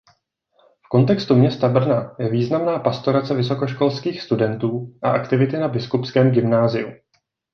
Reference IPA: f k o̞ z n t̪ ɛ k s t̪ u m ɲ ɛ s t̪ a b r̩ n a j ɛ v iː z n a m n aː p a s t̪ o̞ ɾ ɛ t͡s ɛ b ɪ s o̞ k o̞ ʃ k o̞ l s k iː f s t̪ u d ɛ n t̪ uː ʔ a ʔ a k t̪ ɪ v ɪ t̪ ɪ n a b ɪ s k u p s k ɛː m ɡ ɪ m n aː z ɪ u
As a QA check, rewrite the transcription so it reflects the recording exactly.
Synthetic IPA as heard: f k o̞ n t̪ ɛ k s t̪ u m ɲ ɛ s t̪ a b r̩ n a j ɛ v iː z n a m n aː p a s t̪ o̞ ɾ a t͡s ɛ v ɪ s o̞ k o̞ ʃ k o̞ l s k iː x s t̪ u d ɛ n t̪ uː ʔ a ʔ a k t̪ ɪ v ɪ t̪ ɪ n a b ɪ s k u p s k ɛː m ɡ ɪ m n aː z ɪ u